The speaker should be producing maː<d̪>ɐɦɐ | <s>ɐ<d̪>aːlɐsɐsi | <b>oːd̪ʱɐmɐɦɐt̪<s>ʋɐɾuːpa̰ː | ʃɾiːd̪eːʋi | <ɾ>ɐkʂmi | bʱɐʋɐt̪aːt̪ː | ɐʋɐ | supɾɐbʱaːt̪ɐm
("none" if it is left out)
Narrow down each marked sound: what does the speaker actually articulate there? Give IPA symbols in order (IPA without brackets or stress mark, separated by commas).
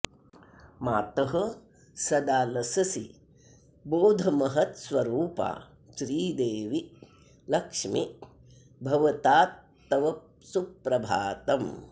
t̪, s, d̪, b, s, l